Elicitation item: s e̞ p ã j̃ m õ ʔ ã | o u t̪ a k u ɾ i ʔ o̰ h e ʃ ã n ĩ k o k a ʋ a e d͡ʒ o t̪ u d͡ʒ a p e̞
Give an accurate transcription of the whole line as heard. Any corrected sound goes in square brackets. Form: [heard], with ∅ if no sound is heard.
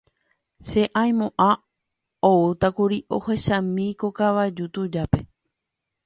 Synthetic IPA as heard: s e̞ [ʔ] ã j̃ m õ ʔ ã | o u t̪ a k u ɾ i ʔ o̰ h e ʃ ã [m] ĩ k o k a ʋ a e d͡ʒ [u] t̪ u d͡ʒ a p e̞